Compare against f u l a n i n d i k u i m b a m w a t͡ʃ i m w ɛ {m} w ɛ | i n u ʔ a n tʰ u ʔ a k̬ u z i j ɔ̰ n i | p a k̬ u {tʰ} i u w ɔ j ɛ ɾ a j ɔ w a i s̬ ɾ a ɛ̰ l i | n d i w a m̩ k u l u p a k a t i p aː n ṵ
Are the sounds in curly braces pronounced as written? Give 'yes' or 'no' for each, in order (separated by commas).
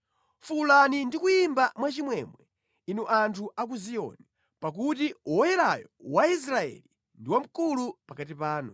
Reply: yes, no